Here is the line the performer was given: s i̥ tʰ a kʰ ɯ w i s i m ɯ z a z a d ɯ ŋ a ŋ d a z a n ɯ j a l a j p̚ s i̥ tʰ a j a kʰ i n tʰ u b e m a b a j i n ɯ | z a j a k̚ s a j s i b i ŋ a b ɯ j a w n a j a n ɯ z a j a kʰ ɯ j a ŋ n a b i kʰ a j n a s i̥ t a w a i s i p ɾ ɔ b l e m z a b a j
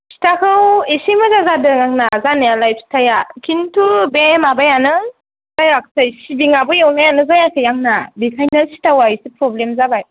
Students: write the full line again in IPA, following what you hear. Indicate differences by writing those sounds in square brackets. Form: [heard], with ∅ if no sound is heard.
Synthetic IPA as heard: s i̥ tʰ a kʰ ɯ w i s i m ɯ z a z a d ɯ ŋ a ŋ [n] a z a n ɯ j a l a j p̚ s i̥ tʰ a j a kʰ i n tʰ u b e m a b a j [a] n ɯ | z a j a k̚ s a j s i b i ŋ a b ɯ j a w n a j a n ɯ z a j a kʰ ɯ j a ŋ n a b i kʰ a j n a s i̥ t a w a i s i p ɾ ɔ b l e m z a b a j